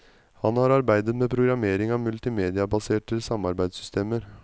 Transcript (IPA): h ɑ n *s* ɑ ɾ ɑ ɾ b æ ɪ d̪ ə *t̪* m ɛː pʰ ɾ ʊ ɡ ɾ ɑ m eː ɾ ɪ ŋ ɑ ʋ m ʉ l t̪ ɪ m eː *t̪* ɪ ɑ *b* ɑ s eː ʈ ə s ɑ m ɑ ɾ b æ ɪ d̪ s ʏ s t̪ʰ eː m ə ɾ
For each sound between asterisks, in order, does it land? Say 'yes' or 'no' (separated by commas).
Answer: no, yes, no, yes